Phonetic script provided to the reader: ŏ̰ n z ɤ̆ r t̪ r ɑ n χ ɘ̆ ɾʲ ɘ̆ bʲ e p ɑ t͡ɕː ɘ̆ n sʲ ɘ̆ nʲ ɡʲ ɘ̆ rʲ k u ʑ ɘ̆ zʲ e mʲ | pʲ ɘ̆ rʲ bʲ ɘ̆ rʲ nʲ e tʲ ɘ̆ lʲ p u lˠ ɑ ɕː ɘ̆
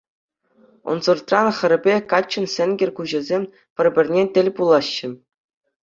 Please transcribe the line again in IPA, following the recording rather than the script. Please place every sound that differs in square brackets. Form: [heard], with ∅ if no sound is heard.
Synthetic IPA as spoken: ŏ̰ n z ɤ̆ r t̪ r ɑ n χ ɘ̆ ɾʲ ɘ̆ bʲ e [k] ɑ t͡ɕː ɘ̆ n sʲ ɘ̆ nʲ ɡʲ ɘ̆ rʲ k u ʑ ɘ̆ zʲ e mʲ | pʲ ɘ̆ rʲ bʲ ɘ̆ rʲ nʲ e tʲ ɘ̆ lʲ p u lˠ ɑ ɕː ɘ̆